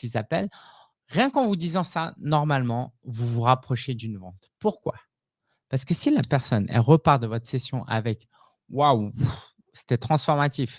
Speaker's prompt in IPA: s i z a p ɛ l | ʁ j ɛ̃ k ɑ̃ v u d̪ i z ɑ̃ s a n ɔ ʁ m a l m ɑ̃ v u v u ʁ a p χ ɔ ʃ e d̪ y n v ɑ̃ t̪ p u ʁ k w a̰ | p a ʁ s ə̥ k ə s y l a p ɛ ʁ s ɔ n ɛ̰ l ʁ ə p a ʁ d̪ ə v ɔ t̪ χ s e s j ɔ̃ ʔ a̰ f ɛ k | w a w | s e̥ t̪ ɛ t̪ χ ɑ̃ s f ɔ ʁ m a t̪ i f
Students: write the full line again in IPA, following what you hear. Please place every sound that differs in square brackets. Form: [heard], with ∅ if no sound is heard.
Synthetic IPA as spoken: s i z a p ɛ l | ʁ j ɛ̃ k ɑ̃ v u d̪ i z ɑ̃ s a n ɔ ʁ m a l m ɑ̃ v u v u ʁ a p χ ɔ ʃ e d̪ y n v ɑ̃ t̪ p u ʁ k w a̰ | p a ʁ s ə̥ k ə s [i] l a p ɛ ʁ s ɔ n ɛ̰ l ʁ ə p a ʁ d̪ ə v ɔ t̪ χ s e s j ɔ̃ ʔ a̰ [v] ɛ k | w a w | s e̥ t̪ ɛ t̪ χ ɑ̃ s f ɔ ʁ m a t̪ i f